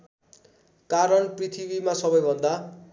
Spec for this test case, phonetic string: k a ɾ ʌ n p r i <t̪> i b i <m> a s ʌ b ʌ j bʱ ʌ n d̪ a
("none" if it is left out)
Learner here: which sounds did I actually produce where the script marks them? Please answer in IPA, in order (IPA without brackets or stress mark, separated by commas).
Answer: t̪ʰ, m